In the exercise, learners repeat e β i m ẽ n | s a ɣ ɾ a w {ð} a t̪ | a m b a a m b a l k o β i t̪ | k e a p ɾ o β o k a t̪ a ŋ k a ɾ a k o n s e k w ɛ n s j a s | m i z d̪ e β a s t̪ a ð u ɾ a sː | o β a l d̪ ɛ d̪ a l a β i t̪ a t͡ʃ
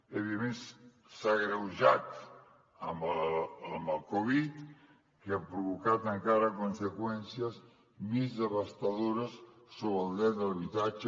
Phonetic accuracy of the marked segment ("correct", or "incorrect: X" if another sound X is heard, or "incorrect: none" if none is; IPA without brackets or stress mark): incorrect: ʒ